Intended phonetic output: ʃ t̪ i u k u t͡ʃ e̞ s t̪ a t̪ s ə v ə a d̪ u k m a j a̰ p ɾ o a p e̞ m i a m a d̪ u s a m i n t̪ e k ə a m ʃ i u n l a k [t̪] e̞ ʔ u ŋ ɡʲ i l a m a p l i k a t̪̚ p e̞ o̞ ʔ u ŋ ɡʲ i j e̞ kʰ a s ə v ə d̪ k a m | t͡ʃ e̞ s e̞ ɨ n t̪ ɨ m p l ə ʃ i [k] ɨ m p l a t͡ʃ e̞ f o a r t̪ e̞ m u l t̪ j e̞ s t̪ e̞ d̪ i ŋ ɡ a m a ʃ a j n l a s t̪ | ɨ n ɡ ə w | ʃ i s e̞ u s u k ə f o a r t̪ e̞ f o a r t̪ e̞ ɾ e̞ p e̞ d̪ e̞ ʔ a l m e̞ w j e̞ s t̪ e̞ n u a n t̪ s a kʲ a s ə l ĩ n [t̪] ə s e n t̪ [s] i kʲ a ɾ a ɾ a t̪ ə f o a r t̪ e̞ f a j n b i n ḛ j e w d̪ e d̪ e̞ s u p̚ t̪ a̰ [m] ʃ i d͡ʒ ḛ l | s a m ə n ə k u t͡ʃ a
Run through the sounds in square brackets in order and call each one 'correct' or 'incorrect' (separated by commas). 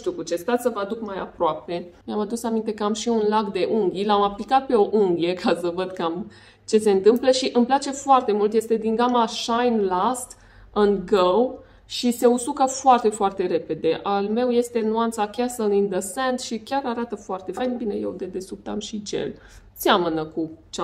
incorrect, incorrect, incorrect, incorrect, correct